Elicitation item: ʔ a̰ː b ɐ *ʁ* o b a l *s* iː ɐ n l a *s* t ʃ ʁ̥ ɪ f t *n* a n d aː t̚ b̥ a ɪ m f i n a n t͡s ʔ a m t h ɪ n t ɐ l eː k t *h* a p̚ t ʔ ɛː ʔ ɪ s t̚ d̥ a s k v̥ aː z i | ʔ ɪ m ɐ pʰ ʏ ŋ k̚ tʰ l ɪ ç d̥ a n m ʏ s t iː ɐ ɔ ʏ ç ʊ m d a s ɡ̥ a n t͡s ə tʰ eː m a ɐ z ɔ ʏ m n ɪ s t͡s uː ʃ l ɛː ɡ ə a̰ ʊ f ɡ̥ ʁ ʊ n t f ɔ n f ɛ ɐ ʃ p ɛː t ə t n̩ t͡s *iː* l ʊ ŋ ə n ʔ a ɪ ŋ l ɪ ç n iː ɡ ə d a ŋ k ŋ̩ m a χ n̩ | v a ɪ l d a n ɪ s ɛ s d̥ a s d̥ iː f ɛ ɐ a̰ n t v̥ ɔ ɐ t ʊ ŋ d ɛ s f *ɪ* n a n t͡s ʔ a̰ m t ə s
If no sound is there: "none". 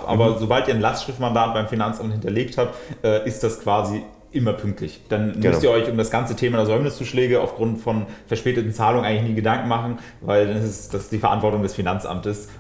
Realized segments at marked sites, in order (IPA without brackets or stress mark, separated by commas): z, t, s, m, h, aː, i